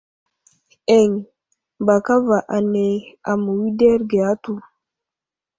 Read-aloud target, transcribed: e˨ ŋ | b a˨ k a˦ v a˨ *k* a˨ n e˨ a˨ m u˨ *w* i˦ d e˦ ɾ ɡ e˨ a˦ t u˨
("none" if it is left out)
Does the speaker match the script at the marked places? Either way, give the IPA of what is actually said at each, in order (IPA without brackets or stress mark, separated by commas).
ʔ, w